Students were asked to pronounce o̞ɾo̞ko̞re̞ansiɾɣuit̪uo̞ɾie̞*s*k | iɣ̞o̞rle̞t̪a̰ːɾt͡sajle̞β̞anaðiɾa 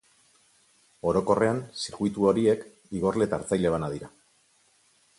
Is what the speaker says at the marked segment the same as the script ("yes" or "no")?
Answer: no